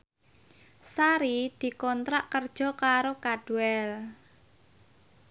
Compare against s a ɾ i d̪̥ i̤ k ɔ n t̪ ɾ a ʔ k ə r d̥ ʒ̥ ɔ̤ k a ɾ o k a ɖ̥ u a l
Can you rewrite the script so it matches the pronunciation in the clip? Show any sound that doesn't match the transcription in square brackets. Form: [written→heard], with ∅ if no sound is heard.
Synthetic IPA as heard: s a ɾ i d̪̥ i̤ k ɔ n t̪ ɾ a ʔ k ə r d̥ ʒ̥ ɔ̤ k a ɾ o k a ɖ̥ u [a→ɛ] l

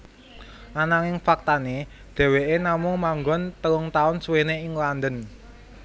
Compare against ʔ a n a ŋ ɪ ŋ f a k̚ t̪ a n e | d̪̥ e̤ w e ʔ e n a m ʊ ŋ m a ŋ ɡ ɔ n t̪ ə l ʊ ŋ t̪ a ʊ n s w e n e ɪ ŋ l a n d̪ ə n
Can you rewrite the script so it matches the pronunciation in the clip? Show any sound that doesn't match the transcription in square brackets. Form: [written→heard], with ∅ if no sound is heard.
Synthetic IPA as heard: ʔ a n a ŋ ɪ ŋ f a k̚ t̪ a n e | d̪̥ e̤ w e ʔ e n a m ʊ ŋ m a ŋ ɡ ɔ n t̪ ə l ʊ ŋ t̪ a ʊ n s w e n e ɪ ŋ l a n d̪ ə n

